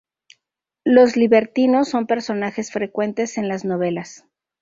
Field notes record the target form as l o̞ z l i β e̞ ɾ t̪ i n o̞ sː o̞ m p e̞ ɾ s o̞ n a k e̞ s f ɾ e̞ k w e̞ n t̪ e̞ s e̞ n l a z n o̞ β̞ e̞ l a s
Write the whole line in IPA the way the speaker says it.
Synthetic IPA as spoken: l o̞ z l i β e̞ ɾ t̪ i n o̞ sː o̞ m p e̞ ɾ s o̞ n a x e̞ s f ɾ e̞ k w e̞ n t̪ e̞ s e̞ n l a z n o̞ β̞ e̞ l a s

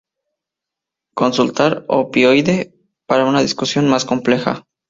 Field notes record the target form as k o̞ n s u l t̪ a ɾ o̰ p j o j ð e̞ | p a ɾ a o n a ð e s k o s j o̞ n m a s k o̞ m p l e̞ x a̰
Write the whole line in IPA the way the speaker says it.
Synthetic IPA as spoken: k o̞ n s u l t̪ a ɾ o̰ p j o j ð e̞ | p a ɾ a u n a ð i s k u s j o̞ n m a s k o̞ m p l e̞ x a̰

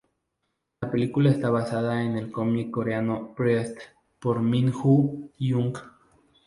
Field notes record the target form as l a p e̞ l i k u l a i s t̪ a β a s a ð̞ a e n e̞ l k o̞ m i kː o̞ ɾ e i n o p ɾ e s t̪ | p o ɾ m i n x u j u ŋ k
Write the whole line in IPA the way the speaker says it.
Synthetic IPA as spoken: l a p e̞ l i k u l a e s t̪ a β a s a ð̞ a e n e̞ l k o̞ m i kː o̞ ɾ e a n o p ɾ e s t̪ | p o ɾ m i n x u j u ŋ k

